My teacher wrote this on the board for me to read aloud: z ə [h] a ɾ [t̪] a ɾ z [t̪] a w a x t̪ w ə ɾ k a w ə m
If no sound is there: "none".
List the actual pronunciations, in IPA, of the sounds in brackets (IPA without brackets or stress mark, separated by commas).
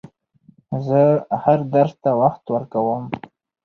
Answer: h, d̪, t̪